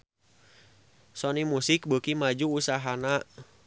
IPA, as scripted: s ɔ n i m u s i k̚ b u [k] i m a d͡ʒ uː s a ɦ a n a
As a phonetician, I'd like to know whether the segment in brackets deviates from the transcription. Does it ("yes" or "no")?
no